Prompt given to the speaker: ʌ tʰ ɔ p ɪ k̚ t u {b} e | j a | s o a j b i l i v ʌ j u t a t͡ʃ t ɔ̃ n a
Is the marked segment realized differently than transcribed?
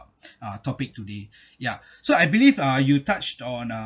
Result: yes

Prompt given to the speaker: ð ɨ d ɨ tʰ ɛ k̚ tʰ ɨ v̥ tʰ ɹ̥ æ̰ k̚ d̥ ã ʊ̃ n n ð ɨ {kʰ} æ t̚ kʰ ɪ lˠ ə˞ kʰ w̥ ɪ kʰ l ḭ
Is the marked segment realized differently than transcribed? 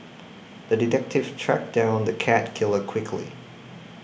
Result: no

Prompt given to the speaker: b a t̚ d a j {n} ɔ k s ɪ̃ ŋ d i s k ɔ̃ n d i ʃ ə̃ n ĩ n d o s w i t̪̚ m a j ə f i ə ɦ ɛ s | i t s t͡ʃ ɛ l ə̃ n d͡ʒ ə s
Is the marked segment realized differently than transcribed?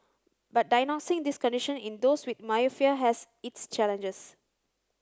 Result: no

